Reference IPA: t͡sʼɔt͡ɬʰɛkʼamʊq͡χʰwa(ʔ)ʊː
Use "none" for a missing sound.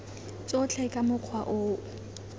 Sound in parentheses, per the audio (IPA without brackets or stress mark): ʔ